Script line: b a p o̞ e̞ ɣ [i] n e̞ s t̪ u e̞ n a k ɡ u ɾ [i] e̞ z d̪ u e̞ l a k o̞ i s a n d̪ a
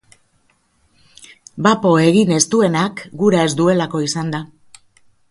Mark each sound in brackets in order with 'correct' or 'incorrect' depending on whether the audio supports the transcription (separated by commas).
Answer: correct, incorrect